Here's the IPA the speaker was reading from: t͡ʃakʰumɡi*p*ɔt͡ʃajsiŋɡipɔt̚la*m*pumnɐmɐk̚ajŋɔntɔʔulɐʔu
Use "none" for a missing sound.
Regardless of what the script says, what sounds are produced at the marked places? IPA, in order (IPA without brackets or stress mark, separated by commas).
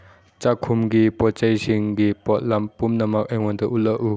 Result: p, m